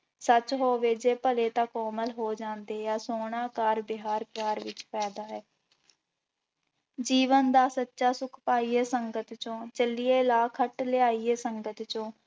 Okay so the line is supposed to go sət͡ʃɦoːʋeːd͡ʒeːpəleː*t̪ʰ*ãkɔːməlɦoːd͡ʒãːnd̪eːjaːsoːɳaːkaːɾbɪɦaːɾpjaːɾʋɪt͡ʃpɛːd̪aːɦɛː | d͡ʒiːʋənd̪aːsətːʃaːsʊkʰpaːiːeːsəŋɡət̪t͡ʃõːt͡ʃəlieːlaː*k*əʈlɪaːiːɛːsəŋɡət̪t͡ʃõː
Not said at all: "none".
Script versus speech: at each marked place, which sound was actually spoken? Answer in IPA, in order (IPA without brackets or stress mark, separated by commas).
t̪, kʰ